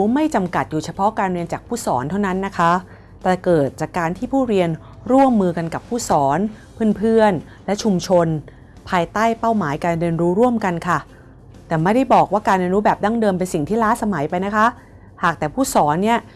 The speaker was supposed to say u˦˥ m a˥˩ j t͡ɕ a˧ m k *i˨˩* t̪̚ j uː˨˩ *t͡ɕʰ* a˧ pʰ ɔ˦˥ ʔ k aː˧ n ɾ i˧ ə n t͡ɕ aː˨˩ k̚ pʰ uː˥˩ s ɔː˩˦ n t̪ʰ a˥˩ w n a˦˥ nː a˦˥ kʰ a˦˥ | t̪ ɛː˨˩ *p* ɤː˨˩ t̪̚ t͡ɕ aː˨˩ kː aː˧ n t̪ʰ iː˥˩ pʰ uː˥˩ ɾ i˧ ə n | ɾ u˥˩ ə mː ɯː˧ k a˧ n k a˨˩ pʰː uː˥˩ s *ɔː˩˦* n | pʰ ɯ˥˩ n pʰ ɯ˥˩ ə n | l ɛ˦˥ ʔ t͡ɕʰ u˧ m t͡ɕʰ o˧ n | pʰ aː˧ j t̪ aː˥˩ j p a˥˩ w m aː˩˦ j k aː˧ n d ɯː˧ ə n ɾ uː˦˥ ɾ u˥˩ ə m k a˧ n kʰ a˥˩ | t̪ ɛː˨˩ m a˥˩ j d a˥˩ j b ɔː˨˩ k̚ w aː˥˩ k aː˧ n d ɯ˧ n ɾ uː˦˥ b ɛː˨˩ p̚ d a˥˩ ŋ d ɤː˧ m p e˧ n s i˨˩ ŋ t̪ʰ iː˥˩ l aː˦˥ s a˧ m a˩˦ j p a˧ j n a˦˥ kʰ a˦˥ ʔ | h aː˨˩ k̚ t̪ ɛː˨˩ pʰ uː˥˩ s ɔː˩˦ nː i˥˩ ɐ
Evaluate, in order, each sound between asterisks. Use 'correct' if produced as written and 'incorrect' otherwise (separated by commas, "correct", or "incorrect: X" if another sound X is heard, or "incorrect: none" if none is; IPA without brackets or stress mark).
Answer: incorrect: a˨˩, correct, incorrect: k, correct